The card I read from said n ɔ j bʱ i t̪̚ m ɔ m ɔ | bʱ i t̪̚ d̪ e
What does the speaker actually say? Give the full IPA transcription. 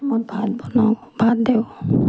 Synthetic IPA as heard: m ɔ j bʱ a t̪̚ b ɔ n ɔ | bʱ a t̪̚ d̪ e